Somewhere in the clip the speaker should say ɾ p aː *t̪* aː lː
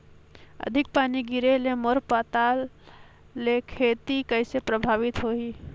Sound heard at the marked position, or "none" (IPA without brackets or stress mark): t̪